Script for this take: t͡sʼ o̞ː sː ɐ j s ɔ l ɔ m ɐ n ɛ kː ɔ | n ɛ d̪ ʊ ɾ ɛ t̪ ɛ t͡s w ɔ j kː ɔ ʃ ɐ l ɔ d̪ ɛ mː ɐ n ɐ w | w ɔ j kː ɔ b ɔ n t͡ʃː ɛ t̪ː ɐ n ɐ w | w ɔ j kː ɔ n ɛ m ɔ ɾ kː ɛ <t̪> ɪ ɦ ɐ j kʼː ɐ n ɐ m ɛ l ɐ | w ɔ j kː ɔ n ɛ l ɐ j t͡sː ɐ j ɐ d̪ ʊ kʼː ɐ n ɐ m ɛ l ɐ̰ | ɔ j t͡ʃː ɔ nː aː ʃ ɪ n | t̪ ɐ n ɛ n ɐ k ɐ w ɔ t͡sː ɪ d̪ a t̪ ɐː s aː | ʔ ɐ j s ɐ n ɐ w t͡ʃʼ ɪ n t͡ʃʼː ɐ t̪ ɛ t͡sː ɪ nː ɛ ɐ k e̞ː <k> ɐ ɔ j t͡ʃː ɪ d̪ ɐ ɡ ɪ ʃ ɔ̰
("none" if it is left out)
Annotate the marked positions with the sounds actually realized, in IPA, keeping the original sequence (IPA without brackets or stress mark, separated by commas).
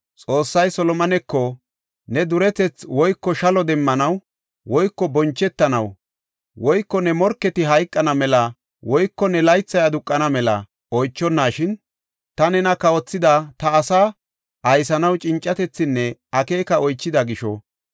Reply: t̪, k